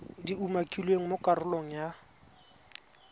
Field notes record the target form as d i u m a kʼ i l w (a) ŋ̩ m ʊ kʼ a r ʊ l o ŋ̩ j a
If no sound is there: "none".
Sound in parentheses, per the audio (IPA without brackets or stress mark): e